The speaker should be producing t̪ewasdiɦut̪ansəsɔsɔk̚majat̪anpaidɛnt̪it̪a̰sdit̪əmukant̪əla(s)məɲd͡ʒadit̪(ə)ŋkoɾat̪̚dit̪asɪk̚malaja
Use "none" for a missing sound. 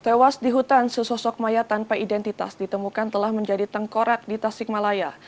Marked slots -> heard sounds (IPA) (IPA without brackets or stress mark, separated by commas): h, ə